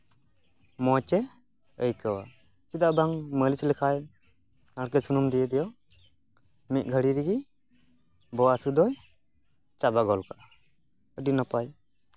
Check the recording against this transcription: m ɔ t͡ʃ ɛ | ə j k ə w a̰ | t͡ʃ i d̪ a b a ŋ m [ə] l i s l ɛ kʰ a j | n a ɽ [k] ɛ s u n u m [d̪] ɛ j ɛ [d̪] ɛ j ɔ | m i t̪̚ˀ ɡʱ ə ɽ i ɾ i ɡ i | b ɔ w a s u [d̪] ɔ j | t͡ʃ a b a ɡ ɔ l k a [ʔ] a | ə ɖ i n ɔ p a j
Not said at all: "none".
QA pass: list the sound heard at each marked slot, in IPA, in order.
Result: ə, k, d̪, d̪, d̪, ʔ

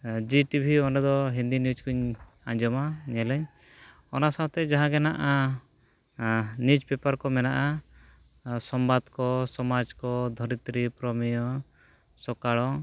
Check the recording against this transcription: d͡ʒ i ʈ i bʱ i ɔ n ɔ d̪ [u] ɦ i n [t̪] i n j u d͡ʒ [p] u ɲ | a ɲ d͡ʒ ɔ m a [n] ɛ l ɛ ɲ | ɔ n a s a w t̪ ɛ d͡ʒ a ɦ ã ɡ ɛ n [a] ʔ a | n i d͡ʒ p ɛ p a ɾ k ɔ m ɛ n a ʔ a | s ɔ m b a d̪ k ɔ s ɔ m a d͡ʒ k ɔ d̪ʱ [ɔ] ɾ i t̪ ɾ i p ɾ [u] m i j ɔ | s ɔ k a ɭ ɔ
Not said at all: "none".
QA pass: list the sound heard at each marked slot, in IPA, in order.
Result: ɔ, d̪, k, ɲ, a, ɔ, ɔ

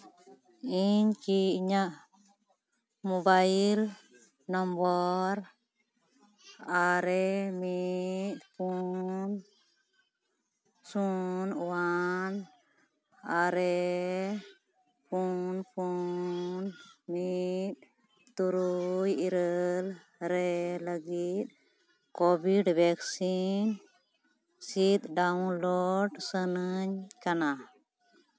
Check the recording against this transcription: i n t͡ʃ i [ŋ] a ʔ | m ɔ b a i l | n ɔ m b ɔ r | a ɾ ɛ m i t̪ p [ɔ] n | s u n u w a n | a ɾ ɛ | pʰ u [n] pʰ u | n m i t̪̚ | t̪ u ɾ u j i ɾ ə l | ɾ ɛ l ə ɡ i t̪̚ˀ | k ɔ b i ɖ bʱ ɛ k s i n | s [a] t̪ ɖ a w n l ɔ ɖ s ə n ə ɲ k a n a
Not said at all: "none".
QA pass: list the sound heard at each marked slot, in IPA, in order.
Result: ɲ, u, n, i

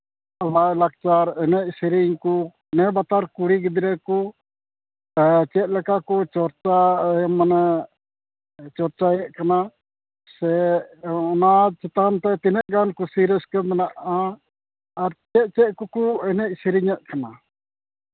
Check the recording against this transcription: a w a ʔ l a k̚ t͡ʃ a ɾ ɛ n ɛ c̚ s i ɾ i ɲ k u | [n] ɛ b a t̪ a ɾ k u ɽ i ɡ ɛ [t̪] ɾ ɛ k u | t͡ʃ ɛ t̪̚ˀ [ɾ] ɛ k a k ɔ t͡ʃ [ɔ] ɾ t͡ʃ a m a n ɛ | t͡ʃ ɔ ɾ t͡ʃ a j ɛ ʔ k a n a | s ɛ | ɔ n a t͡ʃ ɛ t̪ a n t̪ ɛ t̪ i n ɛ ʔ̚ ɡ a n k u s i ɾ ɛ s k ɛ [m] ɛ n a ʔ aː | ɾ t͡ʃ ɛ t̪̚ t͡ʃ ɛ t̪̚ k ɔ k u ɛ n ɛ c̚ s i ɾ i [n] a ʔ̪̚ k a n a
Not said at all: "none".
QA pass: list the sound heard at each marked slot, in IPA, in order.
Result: n, d̪, l, ɔ, m, ɲ

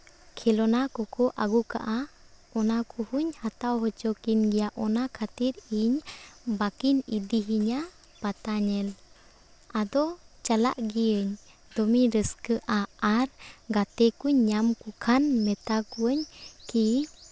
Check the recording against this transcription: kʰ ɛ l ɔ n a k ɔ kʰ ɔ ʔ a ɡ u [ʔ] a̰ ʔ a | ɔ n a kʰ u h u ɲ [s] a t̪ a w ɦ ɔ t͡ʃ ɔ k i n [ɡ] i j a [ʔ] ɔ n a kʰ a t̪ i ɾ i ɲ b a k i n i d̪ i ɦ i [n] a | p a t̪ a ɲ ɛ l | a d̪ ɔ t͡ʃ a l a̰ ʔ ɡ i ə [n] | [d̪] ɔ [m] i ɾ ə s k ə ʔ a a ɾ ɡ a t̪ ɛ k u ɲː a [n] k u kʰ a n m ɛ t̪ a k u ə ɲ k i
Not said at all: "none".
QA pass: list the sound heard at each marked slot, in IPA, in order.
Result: k, h, ɡ, ʔ, ɲ, ɲ, d̪, m, m

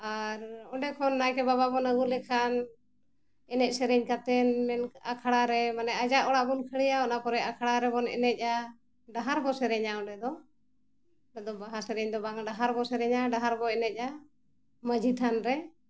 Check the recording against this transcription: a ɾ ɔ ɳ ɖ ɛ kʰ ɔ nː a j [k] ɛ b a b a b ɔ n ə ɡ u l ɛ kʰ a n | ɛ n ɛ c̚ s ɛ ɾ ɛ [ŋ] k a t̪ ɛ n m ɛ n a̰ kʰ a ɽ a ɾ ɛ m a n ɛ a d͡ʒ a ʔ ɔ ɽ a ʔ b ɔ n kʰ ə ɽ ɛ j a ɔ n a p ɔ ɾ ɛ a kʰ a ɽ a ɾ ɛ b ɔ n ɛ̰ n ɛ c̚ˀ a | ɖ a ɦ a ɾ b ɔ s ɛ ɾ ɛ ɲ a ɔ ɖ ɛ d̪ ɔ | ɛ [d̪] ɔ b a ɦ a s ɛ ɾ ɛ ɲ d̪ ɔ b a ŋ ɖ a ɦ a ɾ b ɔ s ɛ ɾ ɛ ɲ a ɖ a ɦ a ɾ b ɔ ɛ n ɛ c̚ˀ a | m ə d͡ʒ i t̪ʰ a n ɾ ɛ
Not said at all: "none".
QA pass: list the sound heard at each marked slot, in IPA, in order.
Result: k, ɲ, d̪

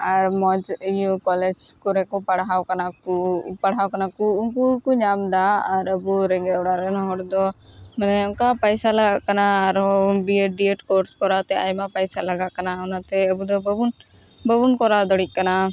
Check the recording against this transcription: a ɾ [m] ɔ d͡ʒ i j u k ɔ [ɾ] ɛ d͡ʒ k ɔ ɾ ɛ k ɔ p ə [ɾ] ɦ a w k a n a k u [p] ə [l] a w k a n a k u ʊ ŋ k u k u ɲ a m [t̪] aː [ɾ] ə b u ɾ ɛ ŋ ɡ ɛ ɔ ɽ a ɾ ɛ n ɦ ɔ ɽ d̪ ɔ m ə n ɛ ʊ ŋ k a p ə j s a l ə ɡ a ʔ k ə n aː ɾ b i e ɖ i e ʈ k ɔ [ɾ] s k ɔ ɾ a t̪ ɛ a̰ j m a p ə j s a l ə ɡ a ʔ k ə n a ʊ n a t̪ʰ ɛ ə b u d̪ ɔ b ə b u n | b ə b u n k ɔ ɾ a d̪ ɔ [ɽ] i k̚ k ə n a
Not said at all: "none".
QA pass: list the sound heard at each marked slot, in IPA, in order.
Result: m, l, ɽ, p, ɽ, d̪, ɾ, ɾ, ɽ

